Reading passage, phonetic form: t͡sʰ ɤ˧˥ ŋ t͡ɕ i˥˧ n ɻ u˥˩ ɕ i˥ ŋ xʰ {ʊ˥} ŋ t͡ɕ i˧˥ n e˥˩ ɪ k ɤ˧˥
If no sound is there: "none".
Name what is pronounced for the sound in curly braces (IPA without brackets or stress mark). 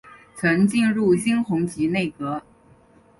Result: ʊ˧˥